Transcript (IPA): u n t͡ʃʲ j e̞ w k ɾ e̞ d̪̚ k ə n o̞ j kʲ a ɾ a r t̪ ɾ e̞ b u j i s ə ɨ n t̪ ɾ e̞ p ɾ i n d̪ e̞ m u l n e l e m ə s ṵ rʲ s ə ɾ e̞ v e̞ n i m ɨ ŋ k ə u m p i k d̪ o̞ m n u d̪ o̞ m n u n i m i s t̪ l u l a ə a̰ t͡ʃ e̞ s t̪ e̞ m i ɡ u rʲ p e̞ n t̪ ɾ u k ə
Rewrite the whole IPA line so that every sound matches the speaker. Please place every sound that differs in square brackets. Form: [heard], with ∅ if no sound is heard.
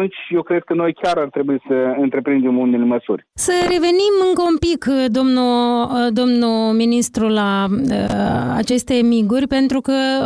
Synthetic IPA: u n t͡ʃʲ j e̞ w k ɾ e̞ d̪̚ k ə n o̞ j kʲ a ɾ a r t̪ ɾ e̞ b u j i s ə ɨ n t̪ ɾ e̞ p ɾ i n d̪ e̞ m u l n e l e m ə s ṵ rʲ s ə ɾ e̞ v e̞ n i m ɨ ŋ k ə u m p i k d̪ o̞ m n u d̪ o̞ m n u [m] i [n] i s t̪ [ɾ] u l a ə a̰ t͡ʃ e̞ s t̪ e̞ m i ɡ u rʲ p e̞ n t̪ ɾ u k ə